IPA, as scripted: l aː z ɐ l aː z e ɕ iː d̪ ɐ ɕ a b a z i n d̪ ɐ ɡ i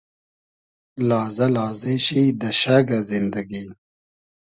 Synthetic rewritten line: l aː z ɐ l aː z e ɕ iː d̪ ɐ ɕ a ɡ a z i n d̪ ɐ ɡ i